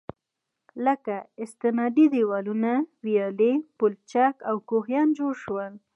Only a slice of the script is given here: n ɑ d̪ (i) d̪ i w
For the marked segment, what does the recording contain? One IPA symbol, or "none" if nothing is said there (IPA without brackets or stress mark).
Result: i